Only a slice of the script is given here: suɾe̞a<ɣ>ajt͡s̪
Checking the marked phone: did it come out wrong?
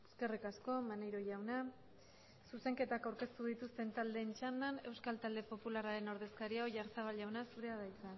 yes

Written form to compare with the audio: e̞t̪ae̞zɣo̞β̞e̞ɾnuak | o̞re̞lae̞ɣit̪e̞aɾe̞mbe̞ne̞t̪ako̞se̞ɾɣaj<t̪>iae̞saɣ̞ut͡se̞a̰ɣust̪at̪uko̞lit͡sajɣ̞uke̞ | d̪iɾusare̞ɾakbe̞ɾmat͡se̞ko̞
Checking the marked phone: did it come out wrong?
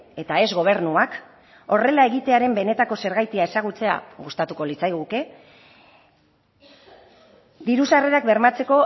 no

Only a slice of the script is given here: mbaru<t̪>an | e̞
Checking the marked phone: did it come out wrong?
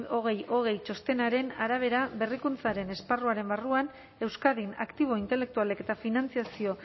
yes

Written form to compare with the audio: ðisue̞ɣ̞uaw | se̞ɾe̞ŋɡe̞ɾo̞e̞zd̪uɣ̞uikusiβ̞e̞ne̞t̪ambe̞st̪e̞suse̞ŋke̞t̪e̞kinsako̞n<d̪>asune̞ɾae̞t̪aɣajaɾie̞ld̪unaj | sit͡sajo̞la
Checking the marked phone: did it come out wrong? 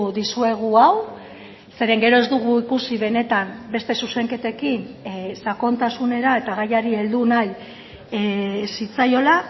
yes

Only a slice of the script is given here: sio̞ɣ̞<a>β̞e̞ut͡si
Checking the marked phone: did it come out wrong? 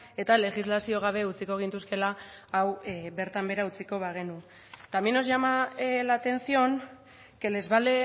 no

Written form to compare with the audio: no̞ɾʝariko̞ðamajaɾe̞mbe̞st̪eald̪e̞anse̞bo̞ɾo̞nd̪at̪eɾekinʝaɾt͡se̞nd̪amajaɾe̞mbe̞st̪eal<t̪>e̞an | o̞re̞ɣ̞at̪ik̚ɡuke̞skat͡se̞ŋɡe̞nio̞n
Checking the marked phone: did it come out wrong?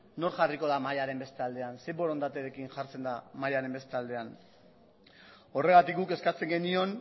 yes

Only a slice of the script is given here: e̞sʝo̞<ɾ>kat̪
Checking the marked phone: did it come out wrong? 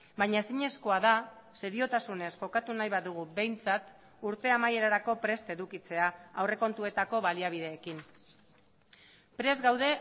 yes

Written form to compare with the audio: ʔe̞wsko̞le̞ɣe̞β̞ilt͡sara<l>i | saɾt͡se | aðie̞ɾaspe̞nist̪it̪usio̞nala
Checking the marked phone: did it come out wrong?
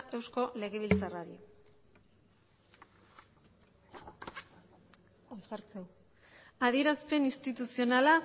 yes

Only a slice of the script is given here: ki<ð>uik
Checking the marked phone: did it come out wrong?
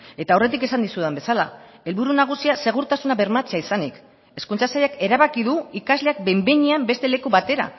no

